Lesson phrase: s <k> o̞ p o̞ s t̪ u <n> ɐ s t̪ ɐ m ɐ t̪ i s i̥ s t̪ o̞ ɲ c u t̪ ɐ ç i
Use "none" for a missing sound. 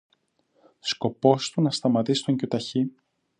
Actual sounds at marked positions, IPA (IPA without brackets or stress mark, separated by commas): k, n